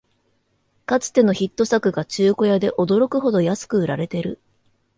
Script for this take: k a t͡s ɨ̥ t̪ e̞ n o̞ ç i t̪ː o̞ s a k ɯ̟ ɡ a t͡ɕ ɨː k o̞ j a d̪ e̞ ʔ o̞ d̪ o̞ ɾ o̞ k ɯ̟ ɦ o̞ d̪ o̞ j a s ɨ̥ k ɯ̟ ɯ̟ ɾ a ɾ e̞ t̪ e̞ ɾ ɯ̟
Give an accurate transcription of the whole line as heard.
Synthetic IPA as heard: k a t͡s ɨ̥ t̪ e̞ n o̞ ç i t̪ː o̞ s a k ɯ̟ ɡ a t͡ɕ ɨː k o̞ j a d̪ e̞ ʔ o̞ d̪ o̞ ɾ o̞ k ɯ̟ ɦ o̞ d̪ o̞ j a s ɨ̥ k ɯ̟ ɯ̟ ɾ a ɾ e̞ t̪ e̞ ɾ ɯ̟